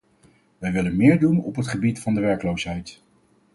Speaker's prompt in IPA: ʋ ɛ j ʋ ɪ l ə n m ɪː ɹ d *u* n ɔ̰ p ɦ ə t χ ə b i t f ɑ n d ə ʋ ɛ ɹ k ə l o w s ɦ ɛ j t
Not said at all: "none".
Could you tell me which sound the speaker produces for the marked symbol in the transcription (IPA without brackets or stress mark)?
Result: u